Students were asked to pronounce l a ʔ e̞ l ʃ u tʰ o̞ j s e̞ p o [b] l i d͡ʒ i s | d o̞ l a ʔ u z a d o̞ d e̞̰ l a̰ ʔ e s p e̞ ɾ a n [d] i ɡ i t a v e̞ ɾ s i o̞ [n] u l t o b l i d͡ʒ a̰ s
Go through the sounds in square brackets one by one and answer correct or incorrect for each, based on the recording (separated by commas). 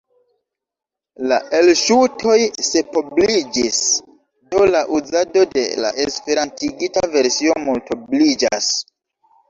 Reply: correct, incorrect, incorrect